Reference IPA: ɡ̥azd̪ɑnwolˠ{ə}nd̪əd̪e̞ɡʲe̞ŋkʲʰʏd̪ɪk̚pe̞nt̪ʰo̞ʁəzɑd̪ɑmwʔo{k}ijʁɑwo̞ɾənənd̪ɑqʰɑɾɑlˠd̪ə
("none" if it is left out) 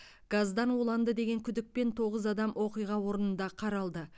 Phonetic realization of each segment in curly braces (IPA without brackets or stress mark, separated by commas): ɑ, q